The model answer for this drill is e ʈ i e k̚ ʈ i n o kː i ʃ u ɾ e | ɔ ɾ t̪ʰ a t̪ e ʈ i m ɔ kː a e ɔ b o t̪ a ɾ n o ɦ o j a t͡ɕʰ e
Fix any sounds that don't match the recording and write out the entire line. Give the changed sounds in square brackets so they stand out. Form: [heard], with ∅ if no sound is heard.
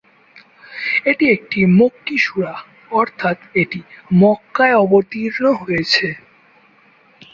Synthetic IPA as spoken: e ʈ i e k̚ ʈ i [m] o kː i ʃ u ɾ [a] | ɔ ɾ t̪ʰ a t̪ e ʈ i m ɔ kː a e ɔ b o t̪ [i] ɾ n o ɦ o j [e] t͡ɕʰ e

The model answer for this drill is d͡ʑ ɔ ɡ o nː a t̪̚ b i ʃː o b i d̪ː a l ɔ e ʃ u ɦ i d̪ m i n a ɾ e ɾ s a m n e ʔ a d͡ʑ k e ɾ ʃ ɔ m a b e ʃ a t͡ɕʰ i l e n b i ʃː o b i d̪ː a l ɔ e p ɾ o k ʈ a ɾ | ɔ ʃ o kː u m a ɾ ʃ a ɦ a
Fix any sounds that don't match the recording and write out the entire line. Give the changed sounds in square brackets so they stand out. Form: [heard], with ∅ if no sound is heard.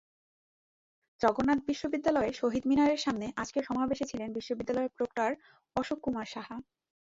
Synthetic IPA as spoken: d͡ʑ ɔ ɡ o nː a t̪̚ b i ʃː o b i d̪ː a l ɔ e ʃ [o] ɦ i d̪ m i n a ɾ e ɾ [ʃ] a m n e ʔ a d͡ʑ k e ɾ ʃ ɔ m a b e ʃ [e] t͡ɕʰ i l e n b i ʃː o b i d̪ː a l ɔ e p ɾ o k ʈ a ɾ | ɔ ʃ o kː u m a ɾ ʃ a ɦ a

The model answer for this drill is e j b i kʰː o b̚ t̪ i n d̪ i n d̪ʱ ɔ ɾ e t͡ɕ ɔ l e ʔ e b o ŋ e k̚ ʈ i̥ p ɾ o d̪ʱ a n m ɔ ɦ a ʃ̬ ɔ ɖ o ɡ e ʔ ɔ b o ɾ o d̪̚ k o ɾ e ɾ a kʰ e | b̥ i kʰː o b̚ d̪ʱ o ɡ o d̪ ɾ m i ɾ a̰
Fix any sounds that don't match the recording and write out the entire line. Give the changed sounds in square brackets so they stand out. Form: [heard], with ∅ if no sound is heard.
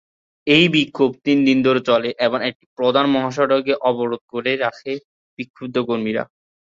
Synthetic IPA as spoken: e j b i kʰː o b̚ t̪ i n d̪ i n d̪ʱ [o] ɾ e t͡ɕ ɔ l e ʔ e b o ŋ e k̚ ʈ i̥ p ɾ o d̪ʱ a n m ɔ ɦ a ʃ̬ ɔ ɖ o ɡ e ʔ ɔ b o ɾ o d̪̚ k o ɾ e ɾ a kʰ e | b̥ i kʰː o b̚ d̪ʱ o [k] o [∅] ɾ m i ɾ a̰

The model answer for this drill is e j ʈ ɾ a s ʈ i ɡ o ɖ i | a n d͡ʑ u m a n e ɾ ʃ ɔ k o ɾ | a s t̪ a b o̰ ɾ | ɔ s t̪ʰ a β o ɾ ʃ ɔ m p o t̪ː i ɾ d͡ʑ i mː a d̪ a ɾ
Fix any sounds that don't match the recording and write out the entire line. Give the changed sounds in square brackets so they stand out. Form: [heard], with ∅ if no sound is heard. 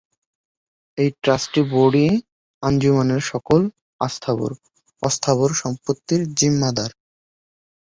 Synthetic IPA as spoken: e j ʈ ɾ a s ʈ i [b] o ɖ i | a n d͡ʑ u m a n e ɾ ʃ ɔ k o [l] | a s [t̪ʰ] a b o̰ ɾ | ɔ s t̪ʰ a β o ɾ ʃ ɔ m p o t̪ː i ɾ d͡ʑ i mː a d̪ a ɾ

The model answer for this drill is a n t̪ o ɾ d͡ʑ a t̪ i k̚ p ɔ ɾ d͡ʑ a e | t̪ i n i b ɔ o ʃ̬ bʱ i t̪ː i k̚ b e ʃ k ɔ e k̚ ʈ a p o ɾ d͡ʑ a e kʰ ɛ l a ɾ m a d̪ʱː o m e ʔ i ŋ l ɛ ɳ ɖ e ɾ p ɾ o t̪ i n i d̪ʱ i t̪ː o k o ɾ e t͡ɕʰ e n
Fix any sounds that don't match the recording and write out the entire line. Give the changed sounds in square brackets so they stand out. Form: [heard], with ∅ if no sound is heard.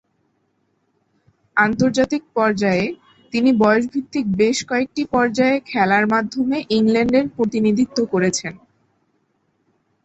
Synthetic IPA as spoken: a n t̪ o ɾ d͡ʑ a t̪ i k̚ p ɔ ɾ d͡ʑ a e | t̪ i n i b ɔ o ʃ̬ bʱ i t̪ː i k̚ b e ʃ k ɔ e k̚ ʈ [i] p [ɔ] ɾ d͡ʑ a e kʰ ɛ l a ɾ m a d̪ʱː o m e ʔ i ŋ l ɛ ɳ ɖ e ɾ p ɾ o t̪ i n i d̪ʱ i t̪ː o k o ɾ e t͡ɕʰ e n

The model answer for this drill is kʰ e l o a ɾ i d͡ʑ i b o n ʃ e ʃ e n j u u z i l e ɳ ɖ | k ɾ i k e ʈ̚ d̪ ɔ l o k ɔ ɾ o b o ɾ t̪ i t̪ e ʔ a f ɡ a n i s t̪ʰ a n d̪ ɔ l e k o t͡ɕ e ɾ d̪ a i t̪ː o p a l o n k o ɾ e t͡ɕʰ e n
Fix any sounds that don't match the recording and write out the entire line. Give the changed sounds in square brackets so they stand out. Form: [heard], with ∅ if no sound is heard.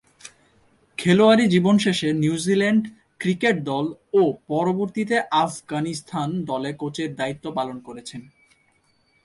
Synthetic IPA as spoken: kʰ e l o a ɾ i d͡ʑ i b o n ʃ e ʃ e n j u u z i l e ɳ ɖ | k ɾ i k e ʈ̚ d̪ ɔ l o [p] ɔ ɾ o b o ɾ t̪ i t̪ e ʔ a f ɡ a n i s t̪ʰ a n d̪ ɔ l e k o t͡ɕ e ɾ d̪ a i t̪ː o p a l o n k o ɾ e t͡ɕʰ e n

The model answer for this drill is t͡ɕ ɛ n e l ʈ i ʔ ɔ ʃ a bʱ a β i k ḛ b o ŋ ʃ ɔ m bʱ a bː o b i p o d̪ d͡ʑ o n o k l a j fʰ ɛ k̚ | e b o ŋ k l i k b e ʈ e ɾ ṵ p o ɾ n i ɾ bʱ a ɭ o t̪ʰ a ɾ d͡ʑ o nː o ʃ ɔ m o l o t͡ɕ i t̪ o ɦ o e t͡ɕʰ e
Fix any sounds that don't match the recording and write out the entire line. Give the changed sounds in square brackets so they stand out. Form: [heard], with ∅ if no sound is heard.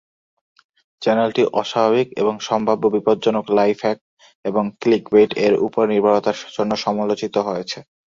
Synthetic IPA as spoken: t͡ɕ ɛ n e l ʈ i ʔ ɔ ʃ a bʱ a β i k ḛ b o ŋ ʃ ɔ m bʱ a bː o b i p o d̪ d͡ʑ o n o k l a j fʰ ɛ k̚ | e b o ŋ k l i k b e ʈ e ɾ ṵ p o ɾ n i ɾ bʱ a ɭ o [t̪] a ɾ d͡ʑ o nː o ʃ ɔ m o l o t͡ɕ i t̪ o ɦ o e t͡ɕʰ e

